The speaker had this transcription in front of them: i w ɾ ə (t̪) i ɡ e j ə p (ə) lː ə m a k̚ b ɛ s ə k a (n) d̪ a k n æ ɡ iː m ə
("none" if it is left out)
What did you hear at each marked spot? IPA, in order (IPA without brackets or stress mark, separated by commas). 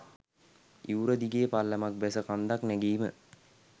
d̪, a, n